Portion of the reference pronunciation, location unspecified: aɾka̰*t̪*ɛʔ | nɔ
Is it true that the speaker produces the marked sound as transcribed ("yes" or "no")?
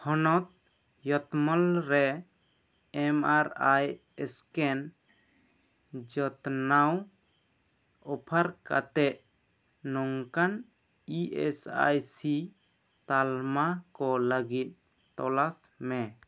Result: yes